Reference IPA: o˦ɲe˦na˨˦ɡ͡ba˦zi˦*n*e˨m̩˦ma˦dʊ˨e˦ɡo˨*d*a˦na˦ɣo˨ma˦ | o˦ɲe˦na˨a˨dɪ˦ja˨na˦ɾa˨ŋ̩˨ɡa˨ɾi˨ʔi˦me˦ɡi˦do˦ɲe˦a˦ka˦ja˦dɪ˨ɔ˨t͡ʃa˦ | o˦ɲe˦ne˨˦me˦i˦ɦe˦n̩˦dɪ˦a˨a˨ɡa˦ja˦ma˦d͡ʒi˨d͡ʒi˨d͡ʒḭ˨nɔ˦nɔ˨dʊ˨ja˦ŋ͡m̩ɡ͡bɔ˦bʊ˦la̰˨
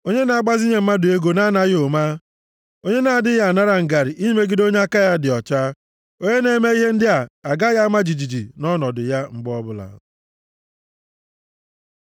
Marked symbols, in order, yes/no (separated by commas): no, no